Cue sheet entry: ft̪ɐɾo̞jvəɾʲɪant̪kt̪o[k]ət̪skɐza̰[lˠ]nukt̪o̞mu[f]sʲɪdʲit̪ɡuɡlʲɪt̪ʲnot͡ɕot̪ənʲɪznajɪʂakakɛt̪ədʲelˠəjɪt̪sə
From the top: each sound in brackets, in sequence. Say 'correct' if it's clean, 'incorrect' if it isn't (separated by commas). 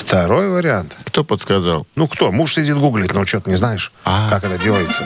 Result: incorrect, correct, incorrect